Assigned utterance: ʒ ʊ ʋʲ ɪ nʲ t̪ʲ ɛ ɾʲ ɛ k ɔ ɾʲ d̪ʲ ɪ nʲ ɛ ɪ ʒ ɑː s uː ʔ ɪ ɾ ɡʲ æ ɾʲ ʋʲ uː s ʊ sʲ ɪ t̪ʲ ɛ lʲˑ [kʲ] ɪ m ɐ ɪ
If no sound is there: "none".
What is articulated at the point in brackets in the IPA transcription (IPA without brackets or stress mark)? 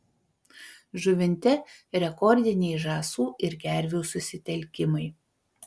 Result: kʲ